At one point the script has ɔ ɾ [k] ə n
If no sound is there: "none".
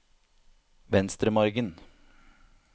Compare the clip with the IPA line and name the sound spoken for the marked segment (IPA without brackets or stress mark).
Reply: ɡ